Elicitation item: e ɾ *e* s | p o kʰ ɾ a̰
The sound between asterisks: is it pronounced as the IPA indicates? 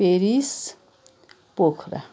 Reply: no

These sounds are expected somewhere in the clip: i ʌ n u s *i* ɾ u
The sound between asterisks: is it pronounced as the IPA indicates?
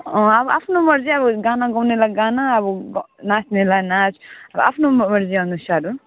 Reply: no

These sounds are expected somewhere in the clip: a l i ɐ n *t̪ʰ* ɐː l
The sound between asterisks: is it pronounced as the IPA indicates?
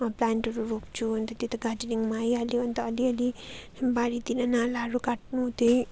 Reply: no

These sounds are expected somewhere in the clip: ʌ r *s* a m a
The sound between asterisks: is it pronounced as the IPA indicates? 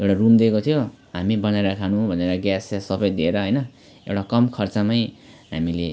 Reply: no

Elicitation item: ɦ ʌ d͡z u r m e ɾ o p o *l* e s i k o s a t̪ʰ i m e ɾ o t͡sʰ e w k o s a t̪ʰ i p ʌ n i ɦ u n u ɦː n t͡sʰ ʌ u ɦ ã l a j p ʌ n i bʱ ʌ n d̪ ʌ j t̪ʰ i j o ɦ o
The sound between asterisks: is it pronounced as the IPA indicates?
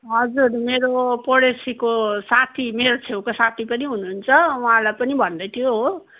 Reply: no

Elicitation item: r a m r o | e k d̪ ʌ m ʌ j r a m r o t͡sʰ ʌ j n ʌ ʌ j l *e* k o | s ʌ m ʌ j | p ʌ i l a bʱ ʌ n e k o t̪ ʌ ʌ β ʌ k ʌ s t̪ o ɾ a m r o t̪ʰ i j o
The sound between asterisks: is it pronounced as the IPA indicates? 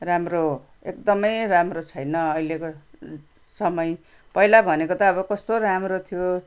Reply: yes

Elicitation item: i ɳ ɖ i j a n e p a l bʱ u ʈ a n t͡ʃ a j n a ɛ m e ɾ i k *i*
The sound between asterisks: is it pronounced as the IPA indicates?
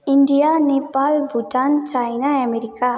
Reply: no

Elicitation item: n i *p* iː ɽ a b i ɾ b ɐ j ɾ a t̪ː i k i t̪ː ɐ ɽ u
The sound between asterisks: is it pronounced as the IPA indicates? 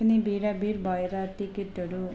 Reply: no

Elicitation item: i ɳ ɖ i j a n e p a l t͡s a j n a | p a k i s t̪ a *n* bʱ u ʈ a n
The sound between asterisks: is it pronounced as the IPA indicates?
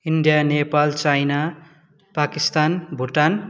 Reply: yes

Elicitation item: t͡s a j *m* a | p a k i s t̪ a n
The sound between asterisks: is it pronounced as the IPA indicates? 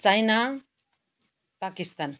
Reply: no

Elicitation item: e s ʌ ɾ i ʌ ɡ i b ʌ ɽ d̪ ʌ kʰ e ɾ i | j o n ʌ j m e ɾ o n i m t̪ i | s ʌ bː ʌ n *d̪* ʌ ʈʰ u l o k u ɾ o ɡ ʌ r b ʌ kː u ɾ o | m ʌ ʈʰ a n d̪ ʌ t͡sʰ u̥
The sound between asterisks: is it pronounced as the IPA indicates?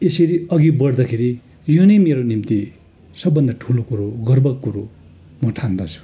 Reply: yes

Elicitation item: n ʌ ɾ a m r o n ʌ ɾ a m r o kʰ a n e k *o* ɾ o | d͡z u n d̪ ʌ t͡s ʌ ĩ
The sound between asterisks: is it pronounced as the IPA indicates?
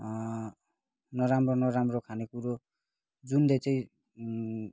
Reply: no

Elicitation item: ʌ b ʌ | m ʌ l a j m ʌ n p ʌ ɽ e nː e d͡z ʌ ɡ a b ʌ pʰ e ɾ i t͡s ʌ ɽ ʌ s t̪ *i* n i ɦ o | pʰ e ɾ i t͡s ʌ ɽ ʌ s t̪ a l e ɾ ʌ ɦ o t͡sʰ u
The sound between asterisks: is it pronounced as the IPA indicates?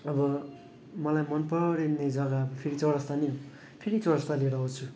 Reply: no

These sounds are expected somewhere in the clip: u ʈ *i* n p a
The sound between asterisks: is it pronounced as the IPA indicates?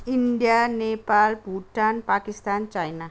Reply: no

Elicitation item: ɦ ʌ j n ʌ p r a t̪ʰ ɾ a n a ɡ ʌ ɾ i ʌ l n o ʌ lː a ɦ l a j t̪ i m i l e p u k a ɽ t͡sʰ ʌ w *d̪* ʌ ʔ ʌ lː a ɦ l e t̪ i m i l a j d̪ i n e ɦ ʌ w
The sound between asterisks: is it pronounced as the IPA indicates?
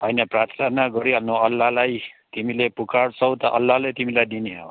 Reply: no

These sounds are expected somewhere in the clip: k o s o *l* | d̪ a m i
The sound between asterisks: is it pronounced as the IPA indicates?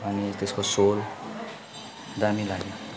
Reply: yes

